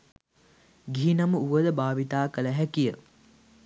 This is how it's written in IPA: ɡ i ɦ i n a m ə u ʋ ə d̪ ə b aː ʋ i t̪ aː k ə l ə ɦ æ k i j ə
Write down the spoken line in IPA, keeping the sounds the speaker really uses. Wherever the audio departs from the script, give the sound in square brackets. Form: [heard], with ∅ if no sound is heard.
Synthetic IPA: ɡ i ɦ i n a m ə u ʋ ə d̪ ə b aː ʋ i t̪ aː k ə l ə ɦ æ k i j ə